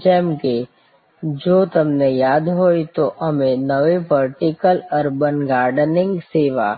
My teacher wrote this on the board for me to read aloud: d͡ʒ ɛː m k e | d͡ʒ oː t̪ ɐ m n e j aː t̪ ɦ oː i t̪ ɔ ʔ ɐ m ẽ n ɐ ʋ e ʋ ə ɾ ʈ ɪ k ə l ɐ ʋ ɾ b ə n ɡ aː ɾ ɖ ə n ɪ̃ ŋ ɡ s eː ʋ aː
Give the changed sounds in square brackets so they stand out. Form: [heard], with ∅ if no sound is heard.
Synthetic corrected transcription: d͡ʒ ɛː m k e | d͡ʒ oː t̪ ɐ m n e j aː [d̪] ɦ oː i t̪ [o] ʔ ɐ m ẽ n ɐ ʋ e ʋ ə ɾ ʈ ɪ k ə l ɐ [∅] ɾ b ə n ɡ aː ɾ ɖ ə n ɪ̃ ŋ ɡ s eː ʋ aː